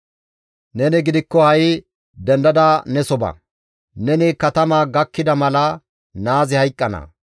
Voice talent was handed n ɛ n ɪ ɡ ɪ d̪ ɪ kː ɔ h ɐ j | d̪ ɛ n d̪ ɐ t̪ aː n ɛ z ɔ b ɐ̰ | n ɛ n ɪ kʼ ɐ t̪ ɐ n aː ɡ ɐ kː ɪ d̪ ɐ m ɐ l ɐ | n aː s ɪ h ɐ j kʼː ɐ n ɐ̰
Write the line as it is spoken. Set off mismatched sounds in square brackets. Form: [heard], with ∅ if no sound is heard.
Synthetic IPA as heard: n ɛ n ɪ ɡ ɪ d̪ ɪ kː ɔ h ɐ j | d̪ ɛ n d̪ ɐ [d̪] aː n ɛ [s] ɔ b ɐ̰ | n ɛ n ɪ [k] ɐ t̪ ɐ [m] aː ɡ ɐ kː ɪ d̪ ɐ m ɐ l ɐ | n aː [z] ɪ h ɐ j kʼː ɐ n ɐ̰